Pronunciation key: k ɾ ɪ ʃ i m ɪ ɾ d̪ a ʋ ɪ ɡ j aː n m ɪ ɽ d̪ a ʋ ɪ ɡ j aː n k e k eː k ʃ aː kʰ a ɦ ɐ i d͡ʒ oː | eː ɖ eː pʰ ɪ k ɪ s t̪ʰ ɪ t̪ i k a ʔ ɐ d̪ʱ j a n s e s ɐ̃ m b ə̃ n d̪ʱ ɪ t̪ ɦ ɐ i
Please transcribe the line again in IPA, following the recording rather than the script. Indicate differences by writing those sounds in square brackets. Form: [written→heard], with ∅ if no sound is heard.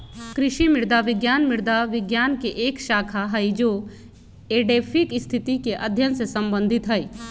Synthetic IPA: k ɾ ɪ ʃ i m ɪ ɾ d̪ a ʋ ɪ ɡ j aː n m ɪ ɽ d̪ a ʋ ɪ ɡ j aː n k e [k→ʔ] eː k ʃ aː kʰ a ɦ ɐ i d͡ʒ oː | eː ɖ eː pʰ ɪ k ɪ s t̪ʰ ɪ t̪ i k [a→e] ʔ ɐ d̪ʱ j [a→ə] n s e s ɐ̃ m b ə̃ n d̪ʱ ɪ t̪ ɦ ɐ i